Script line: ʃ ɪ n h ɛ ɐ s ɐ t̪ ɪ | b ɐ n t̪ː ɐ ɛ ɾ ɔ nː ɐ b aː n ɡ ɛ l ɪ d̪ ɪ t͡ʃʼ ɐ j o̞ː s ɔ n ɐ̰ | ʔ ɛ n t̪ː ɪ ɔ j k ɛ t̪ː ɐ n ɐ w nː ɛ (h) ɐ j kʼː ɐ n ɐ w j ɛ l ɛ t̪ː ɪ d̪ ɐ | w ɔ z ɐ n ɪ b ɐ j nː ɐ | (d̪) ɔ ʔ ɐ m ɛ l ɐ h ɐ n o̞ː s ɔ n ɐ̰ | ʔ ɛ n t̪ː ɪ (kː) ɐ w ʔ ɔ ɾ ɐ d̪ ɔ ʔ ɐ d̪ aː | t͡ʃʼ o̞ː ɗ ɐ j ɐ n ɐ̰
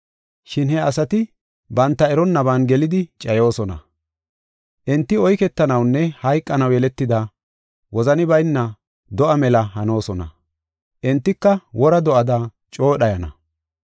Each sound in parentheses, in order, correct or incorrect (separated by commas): correct, correct, correct